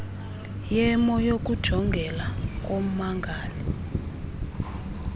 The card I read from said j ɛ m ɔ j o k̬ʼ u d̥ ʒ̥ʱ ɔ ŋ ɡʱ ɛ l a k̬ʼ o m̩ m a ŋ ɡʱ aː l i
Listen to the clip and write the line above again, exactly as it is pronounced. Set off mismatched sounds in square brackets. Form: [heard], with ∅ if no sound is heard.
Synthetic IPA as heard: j ɛ m ɔ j o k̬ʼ u d̥ ʒ̥ʱ ɔ ŋ ɡʱ ɛ l a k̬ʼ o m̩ m a ŋ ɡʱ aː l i